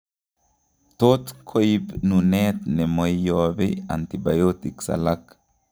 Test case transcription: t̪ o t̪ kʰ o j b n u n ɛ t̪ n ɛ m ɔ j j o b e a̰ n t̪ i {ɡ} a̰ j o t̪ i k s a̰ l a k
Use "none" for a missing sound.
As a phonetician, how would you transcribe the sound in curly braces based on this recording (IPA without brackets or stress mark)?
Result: b